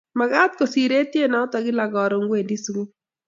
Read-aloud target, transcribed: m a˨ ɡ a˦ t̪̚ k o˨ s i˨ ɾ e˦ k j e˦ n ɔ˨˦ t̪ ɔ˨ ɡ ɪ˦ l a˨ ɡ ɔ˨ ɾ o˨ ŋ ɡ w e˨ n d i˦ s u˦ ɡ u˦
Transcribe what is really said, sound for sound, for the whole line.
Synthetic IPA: m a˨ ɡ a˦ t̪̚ k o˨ s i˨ ɾ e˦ t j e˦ n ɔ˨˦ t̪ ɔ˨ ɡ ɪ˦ l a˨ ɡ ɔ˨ ɾ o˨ ŋ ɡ w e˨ n d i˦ s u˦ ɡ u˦